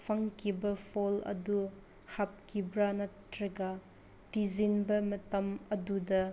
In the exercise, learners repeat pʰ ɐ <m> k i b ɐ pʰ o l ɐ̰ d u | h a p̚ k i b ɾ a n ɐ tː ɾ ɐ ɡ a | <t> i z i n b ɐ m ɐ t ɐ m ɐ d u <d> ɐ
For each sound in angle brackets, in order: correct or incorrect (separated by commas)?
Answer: incorrect, correct, correct